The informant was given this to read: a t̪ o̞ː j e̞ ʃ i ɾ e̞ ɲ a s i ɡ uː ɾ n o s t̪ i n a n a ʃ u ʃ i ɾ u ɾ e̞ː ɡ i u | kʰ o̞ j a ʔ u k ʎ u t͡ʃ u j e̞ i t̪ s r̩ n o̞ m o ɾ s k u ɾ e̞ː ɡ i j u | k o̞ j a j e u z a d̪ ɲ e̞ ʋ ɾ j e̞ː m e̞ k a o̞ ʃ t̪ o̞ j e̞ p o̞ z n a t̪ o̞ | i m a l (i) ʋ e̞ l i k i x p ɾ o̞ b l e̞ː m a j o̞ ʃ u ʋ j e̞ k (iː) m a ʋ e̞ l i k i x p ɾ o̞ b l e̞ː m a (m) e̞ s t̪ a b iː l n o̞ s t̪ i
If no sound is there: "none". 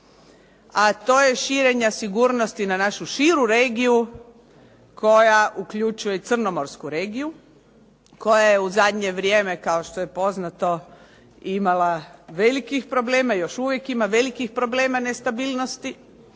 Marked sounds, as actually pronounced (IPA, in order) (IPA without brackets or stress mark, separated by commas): a, i, n